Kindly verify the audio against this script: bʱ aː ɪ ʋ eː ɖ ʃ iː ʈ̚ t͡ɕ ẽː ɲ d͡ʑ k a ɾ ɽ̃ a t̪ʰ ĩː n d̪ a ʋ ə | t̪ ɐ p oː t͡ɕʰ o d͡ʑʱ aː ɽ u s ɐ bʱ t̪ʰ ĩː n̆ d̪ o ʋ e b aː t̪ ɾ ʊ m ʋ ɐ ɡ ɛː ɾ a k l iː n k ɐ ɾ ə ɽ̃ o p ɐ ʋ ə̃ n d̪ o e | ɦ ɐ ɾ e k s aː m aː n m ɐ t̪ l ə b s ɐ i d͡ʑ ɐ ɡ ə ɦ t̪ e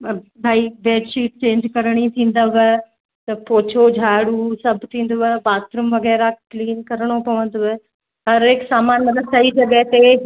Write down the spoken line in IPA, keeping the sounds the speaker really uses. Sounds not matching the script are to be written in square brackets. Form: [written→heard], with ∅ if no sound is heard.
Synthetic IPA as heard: bʱ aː [ɪ→i] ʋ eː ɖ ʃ iː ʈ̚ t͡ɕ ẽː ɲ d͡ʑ k [a→ɐ] ɾ ɽ̃ [a→i] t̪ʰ ĩː n d̪ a ʋ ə | t̪ ɐ p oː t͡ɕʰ o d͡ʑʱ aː ɽ u s ɐ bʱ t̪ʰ ĩː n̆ d̪ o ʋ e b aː t̪ ɾ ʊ m ʋ ɐ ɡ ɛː ɾ a k l iː n k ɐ ɾ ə ɽ̃ o p ɐ ʋ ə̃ n d̪ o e | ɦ ɐ ɾ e k s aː m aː n m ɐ t̪ l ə b s ɐ i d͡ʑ ɐ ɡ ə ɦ t̪ e

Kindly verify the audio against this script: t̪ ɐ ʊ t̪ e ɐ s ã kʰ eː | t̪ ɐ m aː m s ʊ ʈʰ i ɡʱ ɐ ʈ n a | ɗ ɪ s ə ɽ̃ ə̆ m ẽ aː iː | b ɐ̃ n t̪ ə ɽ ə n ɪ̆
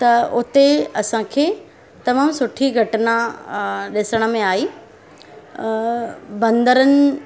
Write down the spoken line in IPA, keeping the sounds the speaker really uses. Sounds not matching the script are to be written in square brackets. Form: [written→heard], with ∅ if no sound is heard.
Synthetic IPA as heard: t̪ ɐ ʊ t̪ e ɐ s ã kʰ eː | t̪ ɐ m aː m s ʊ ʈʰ i ɡʱ ɐ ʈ n a | ɗ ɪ s ə ɽ̃ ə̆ m ẽ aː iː | b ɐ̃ n [t̪→d̪] ə [ɽ→ɾ] ə n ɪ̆

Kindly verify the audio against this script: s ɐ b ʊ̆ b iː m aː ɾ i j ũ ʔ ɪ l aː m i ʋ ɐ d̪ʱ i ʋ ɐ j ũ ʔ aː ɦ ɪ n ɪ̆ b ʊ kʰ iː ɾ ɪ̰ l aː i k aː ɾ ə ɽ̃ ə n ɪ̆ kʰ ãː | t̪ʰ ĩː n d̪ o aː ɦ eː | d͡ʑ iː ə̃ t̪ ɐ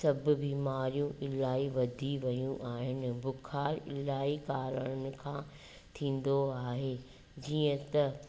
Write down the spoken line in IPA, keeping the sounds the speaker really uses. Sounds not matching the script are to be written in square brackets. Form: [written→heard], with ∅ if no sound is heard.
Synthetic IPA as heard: s ɐ b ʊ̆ b iː m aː ɾ i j ũ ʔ ɪ l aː [m→∅] i ʋ ɐ d̪ʱ i ʋ ɐ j ũ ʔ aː ɦ ɪ n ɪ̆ b ʊ kʰ [iː→aː] ɾ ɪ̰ l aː i k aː ɾ ə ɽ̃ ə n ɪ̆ kʰ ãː | t̪ʰ ĩː n d̪ o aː ɦ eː | d͡ʑ iː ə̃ t̪ ɐ

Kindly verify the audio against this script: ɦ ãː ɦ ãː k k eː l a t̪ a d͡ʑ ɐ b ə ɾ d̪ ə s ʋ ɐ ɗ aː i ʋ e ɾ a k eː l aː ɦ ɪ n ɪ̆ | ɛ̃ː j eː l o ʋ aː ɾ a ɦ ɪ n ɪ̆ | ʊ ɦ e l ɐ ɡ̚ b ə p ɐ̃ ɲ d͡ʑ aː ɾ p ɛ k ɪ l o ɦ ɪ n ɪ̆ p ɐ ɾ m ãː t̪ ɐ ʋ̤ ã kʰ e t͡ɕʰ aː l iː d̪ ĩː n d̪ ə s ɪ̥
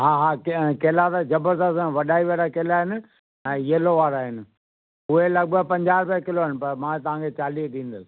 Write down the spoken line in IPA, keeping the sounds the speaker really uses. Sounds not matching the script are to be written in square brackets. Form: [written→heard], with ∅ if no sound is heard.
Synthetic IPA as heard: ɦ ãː ɦ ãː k k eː l a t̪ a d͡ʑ ɐ b ə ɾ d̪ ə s ʋ ɐ ɗ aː i ʋ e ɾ a k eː l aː ɦ ɪ n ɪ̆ | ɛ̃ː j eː l o ʋ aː ɾ a ɦ ɪ n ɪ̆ | ʊ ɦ e l ɐ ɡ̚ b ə p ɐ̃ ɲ d͡ʑ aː ɾ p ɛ k ɪ l o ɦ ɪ n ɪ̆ p ɐ ɾ m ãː t̪ ɐ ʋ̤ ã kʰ e [t͡ɕʰ→t͡ɕ] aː l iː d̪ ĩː n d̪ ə s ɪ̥

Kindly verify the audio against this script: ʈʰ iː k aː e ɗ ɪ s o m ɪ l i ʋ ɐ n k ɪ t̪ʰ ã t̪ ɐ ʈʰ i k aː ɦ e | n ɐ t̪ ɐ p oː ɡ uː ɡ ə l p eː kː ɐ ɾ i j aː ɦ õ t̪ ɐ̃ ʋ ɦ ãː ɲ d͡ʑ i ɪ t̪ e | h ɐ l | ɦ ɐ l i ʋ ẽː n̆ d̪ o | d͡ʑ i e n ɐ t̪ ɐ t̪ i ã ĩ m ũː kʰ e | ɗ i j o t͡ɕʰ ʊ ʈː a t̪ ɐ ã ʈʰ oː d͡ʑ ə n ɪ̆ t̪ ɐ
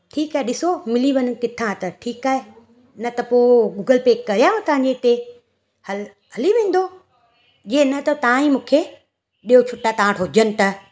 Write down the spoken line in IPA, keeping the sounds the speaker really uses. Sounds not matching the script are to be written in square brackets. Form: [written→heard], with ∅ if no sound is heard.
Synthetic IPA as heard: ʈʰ iː k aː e ɗ ɪ s o m ɪ l i ʋ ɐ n k ɪ t̪ʰ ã t̪ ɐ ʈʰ [i→iː] k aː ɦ e | n ɐ t̪ ɐ p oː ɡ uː ɡ ə l p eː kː ɐ ɾ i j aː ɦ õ t̪ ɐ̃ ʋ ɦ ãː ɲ d͡ʑ [i→e] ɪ t̪ e | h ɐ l | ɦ ɐ l i ʋ ẽː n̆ d̪ o | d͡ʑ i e n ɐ t̪ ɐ t̪ [i→a] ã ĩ m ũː kʰ e | ɗ i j o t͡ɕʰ ʊ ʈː a t̪ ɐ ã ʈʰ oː d͡ʑ ə n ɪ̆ t̪ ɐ

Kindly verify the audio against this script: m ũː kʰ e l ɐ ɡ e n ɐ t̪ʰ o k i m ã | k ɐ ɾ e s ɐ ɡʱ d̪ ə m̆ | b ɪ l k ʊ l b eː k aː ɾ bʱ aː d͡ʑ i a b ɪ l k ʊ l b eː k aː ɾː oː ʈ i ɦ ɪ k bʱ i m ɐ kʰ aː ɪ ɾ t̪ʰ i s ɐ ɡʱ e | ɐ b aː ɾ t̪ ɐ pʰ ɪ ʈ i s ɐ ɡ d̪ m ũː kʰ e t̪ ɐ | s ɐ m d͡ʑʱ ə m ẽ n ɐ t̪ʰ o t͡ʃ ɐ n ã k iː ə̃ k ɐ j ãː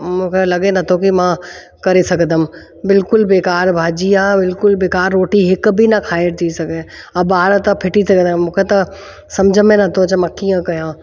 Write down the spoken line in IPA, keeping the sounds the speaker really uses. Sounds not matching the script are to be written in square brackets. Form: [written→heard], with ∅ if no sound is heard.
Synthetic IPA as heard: m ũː kʰ e l ɐ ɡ e n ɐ t̪ʰ o k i m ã | k ɐ ɾ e s ɐ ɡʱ d̪ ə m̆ | b ɪ l k ʊ l b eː k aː ɾ bʱ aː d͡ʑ i a b ɪ l k ʊ l b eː k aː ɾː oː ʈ i ɦ ɪ k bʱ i [m→n] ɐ kʰ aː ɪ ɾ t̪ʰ i s ɐ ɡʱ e | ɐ b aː ɾ t̪ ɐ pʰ ɪ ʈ i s ɐ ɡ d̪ m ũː kʰ e t̪ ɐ | s ɐ m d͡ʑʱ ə m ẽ n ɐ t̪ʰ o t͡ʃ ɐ [n→m] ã k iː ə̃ k ɐ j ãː

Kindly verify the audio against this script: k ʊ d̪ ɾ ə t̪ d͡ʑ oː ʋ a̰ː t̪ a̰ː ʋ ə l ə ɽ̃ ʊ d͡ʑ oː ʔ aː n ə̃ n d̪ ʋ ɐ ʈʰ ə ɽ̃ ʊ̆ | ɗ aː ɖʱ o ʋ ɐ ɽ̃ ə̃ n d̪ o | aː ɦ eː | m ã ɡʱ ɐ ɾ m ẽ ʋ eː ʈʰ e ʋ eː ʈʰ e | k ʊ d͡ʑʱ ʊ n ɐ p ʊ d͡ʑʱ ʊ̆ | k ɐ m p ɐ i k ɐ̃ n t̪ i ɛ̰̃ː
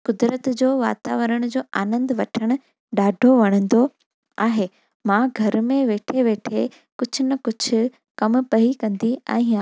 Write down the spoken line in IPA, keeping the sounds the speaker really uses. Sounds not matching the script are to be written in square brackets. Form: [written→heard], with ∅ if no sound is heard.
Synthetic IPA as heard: k ʊ d̪ ɾ ə t̪ d͡ʑ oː ʋ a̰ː t̪ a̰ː ʋ ə [l→ɾ] ə ɽ̃ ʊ d͡ʑ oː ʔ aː n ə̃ n d̪ ʋ ɐ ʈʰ ə ɽ̃ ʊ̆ | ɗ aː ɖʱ o ʋ ɐ ɽ̃ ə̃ n d̪ o | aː ɦ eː | m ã ɡʱ ɐ ɾ m ẽ ʋ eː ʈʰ e ʋ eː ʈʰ e | k ʊ d͡ʑʱ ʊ n ɐ [p→k] ʊ d͡ʑʱ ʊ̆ | k ɐ m p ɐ i k ɐ̃ n [t̪→d̪] i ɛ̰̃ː

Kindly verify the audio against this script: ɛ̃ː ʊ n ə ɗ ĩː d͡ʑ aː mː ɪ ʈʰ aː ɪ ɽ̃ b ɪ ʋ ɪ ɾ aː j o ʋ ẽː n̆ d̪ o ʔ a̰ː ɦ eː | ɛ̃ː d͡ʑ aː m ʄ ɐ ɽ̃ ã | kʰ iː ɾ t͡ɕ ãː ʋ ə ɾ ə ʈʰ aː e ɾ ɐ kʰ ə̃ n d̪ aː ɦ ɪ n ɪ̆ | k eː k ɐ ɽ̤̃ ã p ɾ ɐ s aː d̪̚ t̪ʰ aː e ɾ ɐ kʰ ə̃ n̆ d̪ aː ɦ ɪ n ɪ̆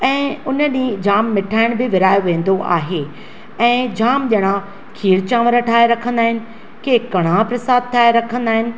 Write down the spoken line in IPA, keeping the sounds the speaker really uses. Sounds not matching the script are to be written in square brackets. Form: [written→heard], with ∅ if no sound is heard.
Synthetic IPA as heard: ɛ̃ː ʊ n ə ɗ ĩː d͡ʑ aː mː ɪ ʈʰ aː ɪ ɽ̃ b ɪ ʋ ɪ ɾ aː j o ʋ ẽː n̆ d̪ o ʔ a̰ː ɦ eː | ɛ̃ː d͡ʑ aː m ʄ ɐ ɽ̃ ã | kʰ iː ɾ t͡ɕ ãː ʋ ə ɾ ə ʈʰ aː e ɾ ɐ kʰ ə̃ n d̪ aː ɦ ɪ n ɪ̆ | k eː k ɐ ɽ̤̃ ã p ɾ ɐ s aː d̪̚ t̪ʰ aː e ɾ ɐ kʰ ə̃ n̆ d̪ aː ɦ ɪ n ɪ̆

